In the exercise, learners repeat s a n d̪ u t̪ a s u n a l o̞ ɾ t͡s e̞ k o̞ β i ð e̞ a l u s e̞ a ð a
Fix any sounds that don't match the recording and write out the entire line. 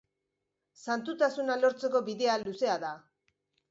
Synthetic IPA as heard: s a n t̪ u t̪ a s u n a l o̞ ɾ t͡s e̞ k o̞ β i ð e̞ a l u s e̞ a ð a